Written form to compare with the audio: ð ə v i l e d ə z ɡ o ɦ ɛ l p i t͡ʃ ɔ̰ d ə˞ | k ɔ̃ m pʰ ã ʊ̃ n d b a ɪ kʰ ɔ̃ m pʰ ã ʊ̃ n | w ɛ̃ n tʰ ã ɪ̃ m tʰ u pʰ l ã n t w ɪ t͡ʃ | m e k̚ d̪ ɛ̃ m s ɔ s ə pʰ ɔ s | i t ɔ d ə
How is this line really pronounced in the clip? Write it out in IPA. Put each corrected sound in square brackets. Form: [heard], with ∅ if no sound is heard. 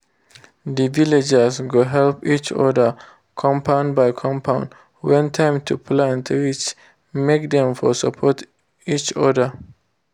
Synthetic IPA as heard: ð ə v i l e [d͡ʒ] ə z ɡ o ɦ ɛ l p i t͡ʃ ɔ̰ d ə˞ | [kʰ] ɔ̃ m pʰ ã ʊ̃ n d b a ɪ kʰ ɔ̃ m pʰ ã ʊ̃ n | w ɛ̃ n tʰ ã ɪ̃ m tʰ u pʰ l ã n t w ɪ t͡ʃ | m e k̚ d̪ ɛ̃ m [f] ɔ s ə pʰ ɔ [t] | i [t͡ʃ] ɔ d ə